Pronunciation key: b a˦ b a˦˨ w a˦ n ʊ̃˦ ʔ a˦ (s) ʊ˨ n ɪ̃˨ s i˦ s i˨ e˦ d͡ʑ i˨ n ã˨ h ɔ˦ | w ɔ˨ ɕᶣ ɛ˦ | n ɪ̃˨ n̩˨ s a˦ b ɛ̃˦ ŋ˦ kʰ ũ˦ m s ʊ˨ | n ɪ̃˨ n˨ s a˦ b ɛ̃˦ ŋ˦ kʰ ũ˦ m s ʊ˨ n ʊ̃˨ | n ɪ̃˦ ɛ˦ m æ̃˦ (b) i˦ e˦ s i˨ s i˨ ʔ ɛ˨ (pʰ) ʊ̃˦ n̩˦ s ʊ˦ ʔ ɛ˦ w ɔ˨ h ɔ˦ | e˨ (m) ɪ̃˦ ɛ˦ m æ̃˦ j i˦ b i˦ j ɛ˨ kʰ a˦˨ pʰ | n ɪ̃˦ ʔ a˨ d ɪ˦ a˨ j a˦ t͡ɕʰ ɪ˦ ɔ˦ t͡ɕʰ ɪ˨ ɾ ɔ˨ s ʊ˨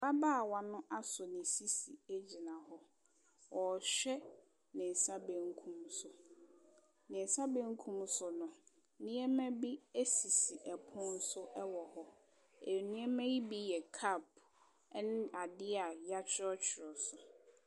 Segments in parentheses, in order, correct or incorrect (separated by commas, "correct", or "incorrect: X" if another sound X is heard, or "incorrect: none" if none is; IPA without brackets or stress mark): correct, correct, correct, incorrect: n